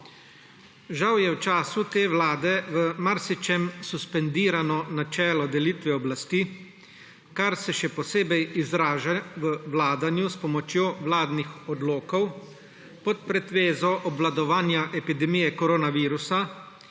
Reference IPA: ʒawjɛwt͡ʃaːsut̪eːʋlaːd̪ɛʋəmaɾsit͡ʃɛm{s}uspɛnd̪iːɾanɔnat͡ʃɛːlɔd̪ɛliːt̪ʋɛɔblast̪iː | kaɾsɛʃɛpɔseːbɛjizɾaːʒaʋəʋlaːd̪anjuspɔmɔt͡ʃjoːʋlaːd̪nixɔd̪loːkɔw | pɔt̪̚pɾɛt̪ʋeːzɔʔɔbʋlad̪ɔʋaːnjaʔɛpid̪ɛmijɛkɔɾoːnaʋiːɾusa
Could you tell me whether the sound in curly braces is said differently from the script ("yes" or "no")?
no